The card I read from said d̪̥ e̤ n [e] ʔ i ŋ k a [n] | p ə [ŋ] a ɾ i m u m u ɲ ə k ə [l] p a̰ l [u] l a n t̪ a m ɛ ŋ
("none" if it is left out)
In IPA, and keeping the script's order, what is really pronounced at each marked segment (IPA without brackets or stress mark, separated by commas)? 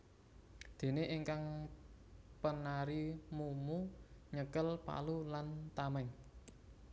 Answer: e, ŋ, n, l, u